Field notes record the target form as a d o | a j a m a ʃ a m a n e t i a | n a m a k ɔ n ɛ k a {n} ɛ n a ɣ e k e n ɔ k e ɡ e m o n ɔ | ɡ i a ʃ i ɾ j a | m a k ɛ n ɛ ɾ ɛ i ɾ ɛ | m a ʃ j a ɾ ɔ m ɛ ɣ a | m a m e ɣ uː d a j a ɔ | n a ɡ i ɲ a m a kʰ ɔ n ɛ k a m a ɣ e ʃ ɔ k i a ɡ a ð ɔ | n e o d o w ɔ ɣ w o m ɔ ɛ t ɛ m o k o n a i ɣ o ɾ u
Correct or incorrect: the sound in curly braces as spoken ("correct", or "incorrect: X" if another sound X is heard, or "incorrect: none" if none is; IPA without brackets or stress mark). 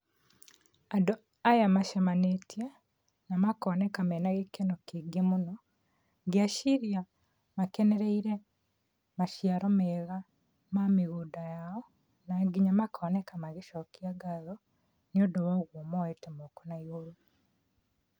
incorrect: m